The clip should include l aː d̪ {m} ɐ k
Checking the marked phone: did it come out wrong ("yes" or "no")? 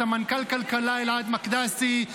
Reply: no